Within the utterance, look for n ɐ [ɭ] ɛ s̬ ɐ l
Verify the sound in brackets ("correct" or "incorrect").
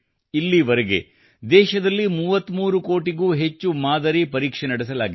incorrect